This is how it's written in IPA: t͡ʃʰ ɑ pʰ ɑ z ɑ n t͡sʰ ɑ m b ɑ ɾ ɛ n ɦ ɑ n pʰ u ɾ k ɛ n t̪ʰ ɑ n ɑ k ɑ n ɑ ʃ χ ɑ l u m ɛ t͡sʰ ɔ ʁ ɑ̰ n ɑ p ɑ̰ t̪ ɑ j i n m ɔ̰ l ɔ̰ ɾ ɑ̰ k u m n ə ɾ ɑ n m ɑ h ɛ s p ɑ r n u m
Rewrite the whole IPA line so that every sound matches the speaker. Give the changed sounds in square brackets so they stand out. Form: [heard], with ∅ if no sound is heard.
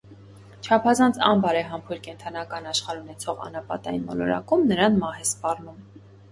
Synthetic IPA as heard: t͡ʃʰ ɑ pʰ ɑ z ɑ n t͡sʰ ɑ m b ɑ ɾ ɛ [∅] ɦ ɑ [m] pʰ u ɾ k ɛ n t̪ʰ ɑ n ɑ k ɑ n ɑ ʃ χ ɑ [ɾ] u [n] ɛ t͡sʰ ɔ ʁ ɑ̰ n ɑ p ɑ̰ t̪ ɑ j i n m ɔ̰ l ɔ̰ ɾ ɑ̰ k u m n ə ɾ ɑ n m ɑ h ɛ s p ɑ r n u m